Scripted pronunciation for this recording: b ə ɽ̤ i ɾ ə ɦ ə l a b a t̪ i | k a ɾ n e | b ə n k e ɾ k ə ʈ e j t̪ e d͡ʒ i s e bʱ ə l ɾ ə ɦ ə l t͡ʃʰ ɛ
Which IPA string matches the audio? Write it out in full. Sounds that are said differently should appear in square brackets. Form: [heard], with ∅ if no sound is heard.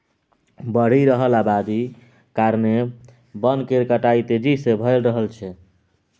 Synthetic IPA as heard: b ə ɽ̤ i ɾ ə ɦ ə l a b a [d̪] i | k a ɾ n e | b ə n k e ɾ k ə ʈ [a] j t̪ e d͡ʒ i s e bʱ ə l ɾ ə ɦ ə l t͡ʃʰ ɛ